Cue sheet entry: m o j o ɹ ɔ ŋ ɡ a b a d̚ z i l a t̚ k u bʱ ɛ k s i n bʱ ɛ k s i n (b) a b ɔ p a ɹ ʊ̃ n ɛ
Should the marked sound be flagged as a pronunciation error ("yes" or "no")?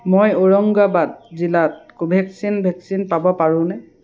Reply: yes